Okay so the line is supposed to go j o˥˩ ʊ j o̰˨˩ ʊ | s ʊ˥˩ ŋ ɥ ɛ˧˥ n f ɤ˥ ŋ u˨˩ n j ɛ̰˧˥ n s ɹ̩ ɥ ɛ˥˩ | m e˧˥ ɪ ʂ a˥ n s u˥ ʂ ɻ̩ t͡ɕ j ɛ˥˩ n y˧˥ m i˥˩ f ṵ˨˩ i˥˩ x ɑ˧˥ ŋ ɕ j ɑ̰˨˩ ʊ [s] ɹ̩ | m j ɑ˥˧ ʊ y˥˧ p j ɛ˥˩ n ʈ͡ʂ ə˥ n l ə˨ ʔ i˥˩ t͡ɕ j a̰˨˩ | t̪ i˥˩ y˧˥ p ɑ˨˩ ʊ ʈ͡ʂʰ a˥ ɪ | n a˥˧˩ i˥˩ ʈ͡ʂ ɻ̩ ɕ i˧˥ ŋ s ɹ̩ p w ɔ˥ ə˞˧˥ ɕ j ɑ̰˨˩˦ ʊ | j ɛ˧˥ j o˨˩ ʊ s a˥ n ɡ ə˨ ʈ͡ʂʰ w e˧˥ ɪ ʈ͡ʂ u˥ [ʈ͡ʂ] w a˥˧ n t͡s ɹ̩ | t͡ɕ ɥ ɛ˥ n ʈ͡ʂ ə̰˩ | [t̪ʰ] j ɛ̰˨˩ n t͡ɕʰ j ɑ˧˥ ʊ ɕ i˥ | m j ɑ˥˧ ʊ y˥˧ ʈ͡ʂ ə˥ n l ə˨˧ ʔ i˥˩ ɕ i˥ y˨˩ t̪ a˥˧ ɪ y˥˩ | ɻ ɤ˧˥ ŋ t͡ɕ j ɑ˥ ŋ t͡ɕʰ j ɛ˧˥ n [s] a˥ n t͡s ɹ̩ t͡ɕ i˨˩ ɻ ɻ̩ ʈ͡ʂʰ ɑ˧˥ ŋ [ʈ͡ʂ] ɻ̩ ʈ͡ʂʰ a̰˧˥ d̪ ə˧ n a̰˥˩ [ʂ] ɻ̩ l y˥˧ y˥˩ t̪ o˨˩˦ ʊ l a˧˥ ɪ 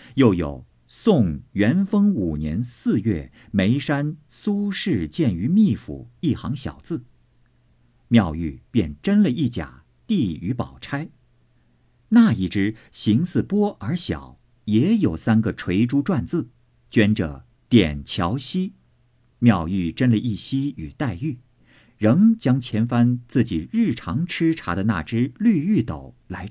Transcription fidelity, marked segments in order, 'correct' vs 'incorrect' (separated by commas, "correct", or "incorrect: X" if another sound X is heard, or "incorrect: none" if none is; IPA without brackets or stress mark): incorrect: t͡s, correct, incorrect: t̪, incorrect: f, incorrect: ʈ͡ʂʰ, incorrect: ʈ͡ʂ